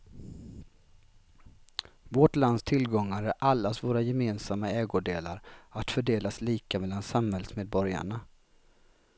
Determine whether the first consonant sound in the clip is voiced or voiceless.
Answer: voiced